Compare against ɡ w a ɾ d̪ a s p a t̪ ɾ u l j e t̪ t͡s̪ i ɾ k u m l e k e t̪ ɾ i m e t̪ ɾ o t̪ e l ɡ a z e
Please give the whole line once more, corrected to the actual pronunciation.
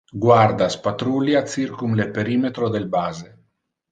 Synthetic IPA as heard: ɡ w a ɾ d̪ a s p a t̪ ɾ u l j a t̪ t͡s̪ i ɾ k u m l e p e ɾ i m e t̪ ɾ o d̪ e l b a z e